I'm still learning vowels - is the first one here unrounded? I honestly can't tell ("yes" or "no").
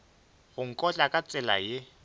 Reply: no